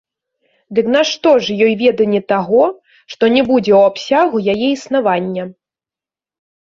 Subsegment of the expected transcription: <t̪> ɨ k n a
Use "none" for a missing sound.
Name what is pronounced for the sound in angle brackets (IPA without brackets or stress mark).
d̪